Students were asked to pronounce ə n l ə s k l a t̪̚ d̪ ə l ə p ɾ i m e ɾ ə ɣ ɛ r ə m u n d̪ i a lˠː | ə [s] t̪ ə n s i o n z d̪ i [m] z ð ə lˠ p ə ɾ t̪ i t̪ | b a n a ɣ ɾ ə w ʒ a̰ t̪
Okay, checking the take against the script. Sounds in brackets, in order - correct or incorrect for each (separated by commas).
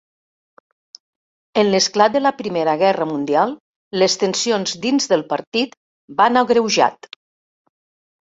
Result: correct, incorrect